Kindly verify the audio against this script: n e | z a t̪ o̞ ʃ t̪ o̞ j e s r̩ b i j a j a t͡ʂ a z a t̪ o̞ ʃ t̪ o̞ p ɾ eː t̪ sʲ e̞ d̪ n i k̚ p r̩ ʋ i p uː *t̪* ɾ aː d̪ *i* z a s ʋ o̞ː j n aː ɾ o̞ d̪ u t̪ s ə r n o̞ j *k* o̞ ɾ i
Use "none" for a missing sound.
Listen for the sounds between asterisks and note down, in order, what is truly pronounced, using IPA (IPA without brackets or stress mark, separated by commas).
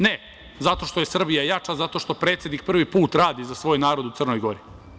t̪, i, ɡ